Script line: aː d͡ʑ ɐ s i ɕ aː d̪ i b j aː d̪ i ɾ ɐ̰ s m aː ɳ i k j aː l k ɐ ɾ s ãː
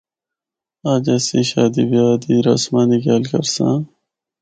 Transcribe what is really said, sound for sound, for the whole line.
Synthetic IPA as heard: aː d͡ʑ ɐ s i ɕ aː d̪ i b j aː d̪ i ɾ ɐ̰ s m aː n i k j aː l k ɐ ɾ s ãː